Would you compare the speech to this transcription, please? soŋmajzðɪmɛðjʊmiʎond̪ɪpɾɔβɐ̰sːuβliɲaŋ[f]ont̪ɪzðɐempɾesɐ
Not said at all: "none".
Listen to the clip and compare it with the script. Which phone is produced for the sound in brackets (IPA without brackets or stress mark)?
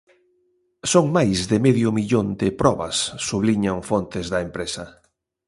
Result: f